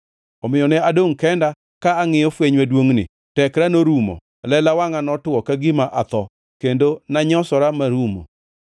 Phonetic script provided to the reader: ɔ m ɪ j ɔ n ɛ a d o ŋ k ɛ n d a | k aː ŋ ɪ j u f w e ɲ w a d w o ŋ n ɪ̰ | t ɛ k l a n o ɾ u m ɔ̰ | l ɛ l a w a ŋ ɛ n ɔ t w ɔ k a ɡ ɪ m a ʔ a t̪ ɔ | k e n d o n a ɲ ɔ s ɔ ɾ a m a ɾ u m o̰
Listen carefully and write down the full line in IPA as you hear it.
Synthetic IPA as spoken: ɔ m ɪ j ɔ n ɛ a d o ŋ k ɛ n d a | k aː ŋ ɪ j ɔ f w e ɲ w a d w o ŋ n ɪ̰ | t ɛ k ɾ a n o ɾ u m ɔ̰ | l ɛ l a w a ŋ a n ɔ t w ɔ k a ɡ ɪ m a ʔ a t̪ ɔ | k e n d o n a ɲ ɔ s ɔ ɾ a m a ɾ u m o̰